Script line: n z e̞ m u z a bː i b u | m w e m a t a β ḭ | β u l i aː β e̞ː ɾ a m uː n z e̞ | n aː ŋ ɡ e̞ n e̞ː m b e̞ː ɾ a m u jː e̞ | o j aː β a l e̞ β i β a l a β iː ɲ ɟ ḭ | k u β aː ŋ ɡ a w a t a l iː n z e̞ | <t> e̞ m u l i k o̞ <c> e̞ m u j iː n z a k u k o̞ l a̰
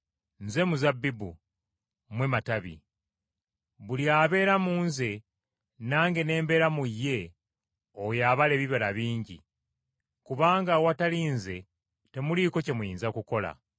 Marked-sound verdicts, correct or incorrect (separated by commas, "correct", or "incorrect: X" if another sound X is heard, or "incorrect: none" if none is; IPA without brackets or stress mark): correct, correct